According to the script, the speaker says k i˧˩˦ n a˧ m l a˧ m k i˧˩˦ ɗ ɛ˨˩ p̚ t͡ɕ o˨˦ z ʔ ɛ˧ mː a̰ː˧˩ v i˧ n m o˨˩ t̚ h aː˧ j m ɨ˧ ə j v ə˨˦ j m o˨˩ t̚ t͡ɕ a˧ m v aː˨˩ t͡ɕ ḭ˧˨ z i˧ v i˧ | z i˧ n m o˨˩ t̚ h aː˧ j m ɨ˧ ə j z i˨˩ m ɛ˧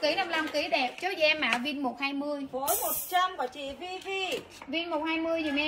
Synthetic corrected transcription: k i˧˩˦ n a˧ m l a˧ m k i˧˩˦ ɗ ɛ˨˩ p̚ t͡ɕ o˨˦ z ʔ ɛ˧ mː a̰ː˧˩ v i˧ n m o˨˩ t̚ h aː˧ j m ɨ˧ ə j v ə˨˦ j m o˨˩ t̚ t͡ɕ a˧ m v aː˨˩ t͡ɕ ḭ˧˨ v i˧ v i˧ | v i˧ n m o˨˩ t̚ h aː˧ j m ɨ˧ ə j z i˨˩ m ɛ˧

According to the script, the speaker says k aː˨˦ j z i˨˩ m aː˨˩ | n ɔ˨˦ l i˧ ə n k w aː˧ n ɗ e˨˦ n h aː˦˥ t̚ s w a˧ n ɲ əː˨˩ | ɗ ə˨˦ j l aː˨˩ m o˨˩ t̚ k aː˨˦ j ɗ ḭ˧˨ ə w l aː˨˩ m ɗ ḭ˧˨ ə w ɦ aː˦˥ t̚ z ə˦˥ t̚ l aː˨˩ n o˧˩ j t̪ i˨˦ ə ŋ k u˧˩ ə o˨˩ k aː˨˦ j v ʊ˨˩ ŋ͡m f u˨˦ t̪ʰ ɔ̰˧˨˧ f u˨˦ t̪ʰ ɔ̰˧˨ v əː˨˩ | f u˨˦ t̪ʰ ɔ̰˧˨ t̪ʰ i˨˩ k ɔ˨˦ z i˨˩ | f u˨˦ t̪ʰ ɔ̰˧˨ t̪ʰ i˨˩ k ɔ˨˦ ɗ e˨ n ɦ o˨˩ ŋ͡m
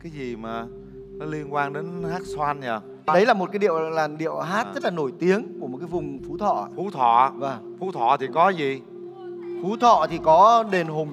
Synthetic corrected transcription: k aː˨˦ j z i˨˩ m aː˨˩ | n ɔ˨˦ l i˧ ə n k w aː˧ n ɗ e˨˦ n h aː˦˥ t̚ s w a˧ n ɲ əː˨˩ | ɗ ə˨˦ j l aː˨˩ m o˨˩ t̚ k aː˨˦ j ɗ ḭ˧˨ ə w l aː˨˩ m ɗ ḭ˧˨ ə w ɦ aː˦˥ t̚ z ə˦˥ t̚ l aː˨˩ n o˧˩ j t̪ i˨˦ ə ŋ k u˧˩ ə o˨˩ k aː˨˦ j v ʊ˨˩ ŋ͡m f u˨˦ t̪ʰ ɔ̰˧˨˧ f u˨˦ t̪ʰ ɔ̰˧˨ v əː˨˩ | f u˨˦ t̪ʰ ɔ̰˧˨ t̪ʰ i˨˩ k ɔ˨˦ z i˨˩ | f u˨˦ t̪ʰ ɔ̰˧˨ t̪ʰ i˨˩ k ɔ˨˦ ɗ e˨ n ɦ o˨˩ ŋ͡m

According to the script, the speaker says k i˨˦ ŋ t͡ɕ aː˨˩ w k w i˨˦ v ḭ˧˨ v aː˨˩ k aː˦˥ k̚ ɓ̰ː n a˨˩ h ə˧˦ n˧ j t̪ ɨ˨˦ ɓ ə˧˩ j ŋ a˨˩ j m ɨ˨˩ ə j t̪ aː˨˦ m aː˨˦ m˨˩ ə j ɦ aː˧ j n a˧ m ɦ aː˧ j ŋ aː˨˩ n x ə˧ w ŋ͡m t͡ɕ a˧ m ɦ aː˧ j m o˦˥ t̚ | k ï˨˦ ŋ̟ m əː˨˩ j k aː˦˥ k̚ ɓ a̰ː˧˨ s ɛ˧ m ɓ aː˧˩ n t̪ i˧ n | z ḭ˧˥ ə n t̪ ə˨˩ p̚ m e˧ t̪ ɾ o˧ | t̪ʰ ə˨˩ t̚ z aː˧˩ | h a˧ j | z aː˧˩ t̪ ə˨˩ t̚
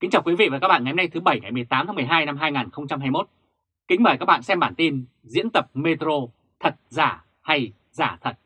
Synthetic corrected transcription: k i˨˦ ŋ t͡ɕ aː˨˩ w k w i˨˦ v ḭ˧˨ v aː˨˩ k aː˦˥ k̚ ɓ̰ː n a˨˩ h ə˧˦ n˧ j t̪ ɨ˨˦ ɓ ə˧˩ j ŋ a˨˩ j m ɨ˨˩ ə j t̪ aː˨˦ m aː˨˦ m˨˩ ə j ɦ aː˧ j n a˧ m ɦ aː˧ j ŋ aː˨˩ n x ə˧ w ŋ͡m t͡ɕ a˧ m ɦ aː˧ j m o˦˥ t̚ | k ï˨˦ ŋ̟ m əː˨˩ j k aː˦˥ k̚ ɓ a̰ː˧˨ s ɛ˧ m ɓ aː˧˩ n t̪ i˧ n | z ḭ˧˥ ə n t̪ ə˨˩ p̚ m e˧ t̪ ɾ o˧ | t̪ʰ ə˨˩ t̚ z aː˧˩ | h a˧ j | z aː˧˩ t̪ʰ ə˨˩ t̚

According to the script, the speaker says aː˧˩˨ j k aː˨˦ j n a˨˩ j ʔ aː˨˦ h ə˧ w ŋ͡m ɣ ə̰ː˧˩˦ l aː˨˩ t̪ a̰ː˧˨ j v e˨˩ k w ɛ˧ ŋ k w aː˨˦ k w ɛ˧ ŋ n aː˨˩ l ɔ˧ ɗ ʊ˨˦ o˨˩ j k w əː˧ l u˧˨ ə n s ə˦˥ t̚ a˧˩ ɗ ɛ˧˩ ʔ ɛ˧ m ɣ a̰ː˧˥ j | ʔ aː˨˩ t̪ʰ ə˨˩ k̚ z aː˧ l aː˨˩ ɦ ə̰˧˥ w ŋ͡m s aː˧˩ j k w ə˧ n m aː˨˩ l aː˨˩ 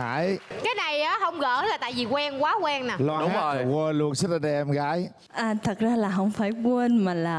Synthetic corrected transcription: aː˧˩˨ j k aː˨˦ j n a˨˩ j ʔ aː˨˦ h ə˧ w ŋ͡m ɣ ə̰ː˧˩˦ l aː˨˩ t̪ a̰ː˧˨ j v i˨˩ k w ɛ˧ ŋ k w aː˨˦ k w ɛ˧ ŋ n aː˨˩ l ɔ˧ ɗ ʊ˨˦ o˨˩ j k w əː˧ l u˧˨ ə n s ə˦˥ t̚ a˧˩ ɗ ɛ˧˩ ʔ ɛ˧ m ɣ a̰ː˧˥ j | ʔ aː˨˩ t̪ʰ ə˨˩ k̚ z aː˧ l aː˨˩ ɦ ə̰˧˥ w ŋ͡m f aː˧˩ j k w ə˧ n m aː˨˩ l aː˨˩

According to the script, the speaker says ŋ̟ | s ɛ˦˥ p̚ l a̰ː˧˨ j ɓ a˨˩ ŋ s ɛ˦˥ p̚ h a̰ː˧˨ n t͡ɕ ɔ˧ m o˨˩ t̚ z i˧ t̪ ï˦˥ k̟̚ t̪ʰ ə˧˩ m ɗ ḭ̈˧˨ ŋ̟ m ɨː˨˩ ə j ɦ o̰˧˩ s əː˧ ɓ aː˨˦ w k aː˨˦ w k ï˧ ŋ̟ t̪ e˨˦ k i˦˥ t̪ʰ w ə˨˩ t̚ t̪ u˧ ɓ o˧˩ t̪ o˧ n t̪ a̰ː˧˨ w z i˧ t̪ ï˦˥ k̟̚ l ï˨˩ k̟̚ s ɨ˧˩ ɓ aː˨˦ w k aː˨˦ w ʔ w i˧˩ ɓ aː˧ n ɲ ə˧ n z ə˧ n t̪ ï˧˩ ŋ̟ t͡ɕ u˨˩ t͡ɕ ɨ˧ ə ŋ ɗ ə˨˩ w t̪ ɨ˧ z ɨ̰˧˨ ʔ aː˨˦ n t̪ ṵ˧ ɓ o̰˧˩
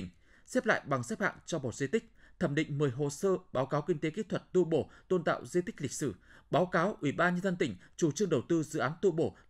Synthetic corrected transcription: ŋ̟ | s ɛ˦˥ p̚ l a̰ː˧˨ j ɓ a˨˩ ŋ s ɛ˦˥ p̚ h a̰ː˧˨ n t͡ɕ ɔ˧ m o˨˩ t̚ z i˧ t̪ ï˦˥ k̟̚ t̪ʰ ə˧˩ m ɗ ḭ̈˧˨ ŋ̟ m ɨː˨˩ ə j ɦ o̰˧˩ s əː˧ ɓ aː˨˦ w k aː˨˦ w k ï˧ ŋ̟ t̪ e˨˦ k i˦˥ t̪ʰ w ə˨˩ t̚ t̪ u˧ ɓ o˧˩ t̪ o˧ n t̪ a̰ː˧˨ w z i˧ t̪ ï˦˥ k̟̚ l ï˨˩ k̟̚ s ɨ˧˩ ɓ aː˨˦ w k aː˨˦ w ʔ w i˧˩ ɓ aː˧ n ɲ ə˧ n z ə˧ n t̪ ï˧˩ ŋ̟ t͡ɕ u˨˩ t͡ɕ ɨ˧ ə ŋ ɗ ə˨˩ w t̪ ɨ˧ z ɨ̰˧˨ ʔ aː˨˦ n t̪ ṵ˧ ɓ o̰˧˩

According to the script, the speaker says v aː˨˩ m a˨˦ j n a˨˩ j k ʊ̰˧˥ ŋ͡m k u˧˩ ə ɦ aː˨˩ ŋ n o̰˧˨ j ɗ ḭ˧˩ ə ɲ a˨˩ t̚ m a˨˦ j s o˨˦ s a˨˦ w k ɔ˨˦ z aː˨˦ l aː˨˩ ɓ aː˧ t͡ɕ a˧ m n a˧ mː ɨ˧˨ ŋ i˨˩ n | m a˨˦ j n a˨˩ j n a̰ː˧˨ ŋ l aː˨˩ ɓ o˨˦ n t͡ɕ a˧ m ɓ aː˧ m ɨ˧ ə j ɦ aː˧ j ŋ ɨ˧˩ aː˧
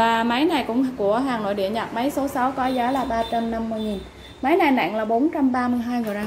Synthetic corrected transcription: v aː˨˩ m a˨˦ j n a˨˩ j k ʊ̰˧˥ ŋ͡m k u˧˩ ə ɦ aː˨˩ ŋ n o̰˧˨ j ɗ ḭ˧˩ ə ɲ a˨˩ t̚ m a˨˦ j s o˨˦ s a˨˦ w k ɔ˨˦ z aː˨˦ l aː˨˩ ɓ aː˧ t͡ɕ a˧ m n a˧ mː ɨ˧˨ ŋ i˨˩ n | m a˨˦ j n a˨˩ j n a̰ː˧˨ ŋ l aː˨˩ ɓ o˨˦ n t͡ɕ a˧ m ɓ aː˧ m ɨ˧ ə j ɦ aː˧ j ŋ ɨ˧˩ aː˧

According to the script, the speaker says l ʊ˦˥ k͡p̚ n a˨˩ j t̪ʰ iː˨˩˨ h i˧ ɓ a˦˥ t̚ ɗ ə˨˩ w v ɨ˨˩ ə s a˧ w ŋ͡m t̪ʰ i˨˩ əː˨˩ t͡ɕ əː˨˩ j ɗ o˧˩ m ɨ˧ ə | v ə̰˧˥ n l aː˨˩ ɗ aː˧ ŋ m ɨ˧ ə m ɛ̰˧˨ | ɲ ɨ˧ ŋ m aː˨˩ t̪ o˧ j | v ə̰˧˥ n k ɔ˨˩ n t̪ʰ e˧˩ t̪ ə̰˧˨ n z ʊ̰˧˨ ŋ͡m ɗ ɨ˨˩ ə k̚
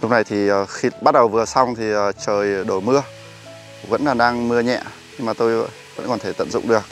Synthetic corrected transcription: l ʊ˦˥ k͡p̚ n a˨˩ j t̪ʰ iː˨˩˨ x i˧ ɓ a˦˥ t̚ ɗ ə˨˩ w v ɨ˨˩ ə s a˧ w ŋ͡m t̪ʰ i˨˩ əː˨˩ t͡ɕ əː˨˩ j ɗ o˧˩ m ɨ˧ ə | v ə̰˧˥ n l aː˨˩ ɗ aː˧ ŋ m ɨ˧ ə ɲ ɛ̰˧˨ | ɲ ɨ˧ ŋ m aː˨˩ t̪ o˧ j | v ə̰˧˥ n k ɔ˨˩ n t̪ʰ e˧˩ t̪ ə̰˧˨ n z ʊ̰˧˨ ŋ͡m ɗ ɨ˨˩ ə k̚

